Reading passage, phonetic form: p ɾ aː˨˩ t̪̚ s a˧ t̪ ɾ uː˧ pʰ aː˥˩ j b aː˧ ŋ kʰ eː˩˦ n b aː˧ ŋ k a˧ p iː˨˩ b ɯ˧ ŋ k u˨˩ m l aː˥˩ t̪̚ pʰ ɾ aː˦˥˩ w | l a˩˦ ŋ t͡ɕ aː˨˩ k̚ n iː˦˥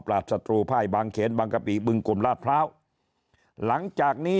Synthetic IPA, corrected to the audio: p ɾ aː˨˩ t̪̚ s a˧ t̪ ɾ uː˧ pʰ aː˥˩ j b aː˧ ŋ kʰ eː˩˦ n b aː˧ ŋ k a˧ p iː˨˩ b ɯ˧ ŋ k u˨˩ m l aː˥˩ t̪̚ pʰ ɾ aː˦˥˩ w | l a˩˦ ŋ t͡ɕ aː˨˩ k̚ n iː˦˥